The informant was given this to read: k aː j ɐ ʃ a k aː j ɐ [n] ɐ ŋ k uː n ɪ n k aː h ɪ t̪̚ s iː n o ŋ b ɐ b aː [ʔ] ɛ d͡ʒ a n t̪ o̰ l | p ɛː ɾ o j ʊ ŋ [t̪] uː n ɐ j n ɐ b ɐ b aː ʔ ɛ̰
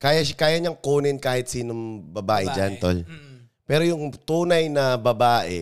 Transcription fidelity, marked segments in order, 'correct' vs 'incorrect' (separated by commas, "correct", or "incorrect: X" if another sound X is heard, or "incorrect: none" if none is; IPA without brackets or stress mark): incorrect: ɲ, correct, correct